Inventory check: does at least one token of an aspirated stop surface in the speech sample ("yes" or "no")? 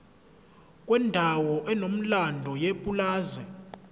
no